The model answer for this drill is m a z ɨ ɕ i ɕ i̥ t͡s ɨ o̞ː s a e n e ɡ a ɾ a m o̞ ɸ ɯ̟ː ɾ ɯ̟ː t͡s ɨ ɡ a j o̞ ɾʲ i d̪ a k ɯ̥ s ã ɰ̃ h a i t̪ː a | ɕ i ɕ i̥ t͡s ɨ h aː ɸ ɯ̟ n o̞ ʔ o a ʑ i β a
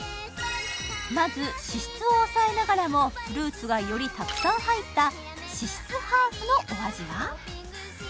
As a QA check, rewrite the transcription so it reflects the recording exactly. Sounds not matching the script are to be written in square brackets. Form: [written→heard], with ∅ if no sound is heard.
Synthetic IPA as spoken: m a z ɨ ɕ i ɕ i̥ t͡s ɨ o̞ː s a e n [e→a] ɡ a ɾ a m o̞ ɸ [ɯ̟ː→ɯ̟] ɾ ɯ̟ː t͡s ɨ ɡ a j o̞ ɾʲ i [d̪→t̪] a k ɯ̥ s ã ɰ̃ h a i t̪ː a | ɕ i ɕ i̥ t͡s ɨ h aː ɸ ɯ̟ n o̞ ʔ o a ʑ i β a